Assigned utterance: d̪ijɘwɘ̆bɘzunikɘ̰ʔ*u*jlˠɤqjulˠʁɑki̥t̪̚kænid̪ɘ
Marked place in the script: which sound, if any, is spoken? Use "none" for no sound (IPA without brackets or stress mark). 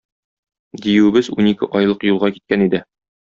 ɒ